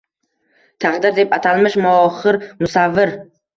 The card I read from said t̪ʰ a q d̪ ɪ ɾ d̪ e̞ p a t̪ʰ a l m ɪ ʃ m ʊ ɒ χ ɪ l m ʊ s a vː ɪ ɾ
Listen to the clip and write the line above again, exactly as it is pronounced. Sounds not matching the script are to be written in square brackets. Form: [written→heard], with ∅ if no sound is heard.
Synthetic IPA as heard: t̪ʰ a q d̪ ɪ ɾ d̪ e̞ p a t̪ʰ a l m ɪ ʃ m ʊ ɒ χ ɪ [l→ɾ] m ʊ s a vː ɪ ɾ